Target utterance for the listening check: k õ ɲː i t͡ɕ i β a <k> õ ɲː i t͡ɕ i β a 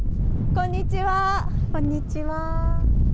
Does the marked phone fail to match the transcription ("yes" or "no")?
no